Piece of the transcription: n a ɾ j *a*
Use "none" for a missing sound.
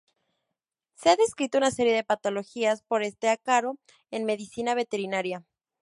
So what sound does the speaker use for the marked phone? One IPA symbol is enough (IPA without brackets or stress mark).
a